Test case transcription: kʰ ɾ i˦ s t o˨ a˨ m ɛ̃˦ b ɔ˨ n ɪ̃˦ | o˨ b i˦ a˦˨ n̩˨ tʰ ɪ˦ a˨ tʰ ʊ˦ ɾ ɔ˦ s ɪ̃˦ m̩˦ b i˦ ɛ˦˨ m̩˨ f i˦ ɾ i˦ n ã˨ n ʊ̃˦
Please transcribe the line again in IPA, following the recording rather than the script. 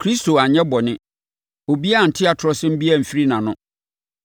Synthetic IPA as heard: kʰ ɾ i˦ s t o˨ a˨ ɲ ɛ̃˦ b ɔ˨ n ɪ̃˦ | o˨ b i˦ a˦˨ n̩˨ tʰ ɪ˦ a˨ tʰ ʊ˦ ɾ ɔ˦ s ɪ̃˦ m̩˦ b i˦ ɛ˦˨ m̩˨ f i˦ ɾ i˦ n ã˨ n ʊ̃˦